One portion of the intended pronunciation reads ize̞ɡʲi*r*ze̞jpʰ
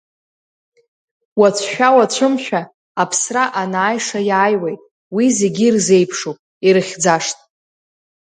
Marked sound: correct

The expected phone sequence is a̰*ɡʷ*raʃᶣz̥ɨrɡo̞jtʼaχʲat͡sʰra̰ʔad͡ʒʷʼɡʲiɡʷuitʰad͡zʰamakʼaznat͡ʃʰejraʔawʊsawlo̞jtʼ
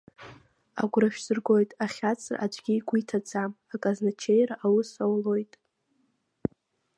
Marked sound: correct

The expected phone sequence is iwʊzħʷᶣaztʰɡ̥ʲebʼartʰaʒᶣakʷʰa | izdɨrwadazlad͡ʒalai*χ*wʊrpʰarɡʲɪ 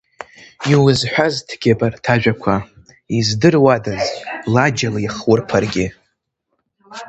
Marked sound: correct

